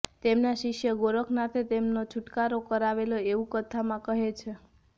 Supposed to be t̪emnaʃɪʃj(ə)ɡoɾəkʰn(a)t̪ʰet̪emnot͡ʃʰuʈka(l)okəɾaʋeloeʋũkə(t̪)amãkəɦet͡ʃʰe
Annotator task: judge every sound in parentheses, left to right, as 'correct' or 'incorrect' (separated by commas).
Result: correct, correct, incorrect, incorrect